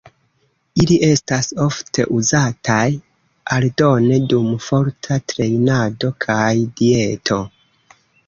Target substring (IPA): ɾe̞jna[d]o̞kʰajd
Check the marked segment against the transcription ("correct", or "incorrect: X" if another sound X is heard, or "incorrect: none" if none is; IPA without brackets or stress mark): correct